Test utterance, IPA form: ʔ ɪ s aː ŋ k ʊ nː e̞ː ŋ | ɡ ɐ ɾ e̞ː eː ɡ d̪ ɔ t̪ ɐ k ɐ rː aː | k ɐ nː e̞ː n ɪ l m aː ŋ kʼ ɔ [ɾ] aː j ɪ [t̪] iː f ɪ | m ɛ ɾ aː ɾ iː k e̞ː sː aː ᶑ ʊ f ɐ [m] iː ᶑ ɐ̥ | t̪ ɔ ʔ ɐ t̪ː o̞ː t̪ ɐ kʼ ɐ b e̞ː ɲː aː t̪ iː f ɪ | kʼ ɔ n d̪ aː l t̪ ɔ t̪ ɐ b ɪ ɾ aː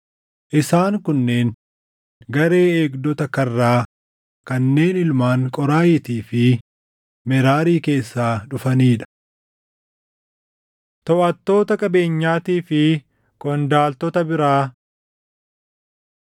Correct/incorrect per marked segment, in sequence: correct, correct, incorrect: n

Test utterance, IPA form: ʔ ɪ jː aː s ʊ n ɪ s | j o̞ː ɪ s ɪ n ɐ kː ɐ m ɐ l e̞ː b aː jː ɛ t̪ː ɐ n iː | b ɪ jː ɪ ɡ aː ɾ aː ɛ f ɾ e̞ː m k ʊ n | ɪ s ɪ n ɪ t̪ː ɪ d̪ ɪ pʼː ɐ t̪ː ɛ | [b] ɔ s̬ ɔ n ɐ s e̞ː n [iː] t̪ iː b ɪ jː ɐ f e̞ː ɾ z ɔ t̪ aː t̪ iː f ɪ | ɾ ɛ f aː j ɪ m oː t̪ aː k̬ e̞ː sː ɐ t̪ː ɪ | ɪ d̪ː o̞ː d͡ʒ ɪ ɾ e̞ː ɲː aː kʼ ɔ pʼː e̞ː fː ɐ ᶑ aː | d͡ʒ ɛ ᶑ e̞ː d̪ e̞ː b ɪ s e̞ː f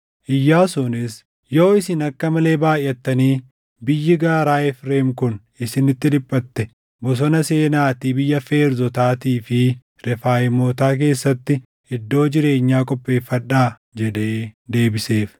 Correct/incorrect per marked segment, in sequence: correct, incorrect: aː

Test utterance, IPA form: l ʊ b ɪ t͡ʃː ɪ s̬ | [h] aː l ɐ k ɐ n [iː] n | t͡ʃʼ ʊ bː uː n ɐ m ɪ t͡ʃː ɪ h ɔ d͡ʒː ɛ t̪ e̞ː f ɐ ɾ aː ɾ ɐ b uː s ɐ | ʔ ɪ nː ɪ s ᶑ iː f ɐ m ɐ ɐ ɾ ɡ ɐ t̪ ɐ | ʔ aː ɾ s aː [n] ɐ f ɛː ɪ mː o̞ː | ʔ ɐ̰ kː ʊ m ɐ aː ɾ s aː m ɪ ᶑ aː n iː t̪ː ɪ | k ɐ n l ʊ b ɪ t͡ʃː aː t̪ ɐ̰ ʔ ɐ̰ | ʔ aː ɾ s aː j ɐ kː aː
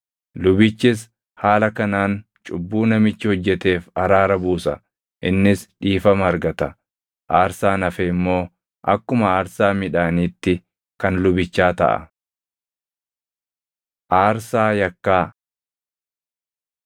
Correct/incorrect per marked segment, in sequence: correct, incorrect: aː, correct

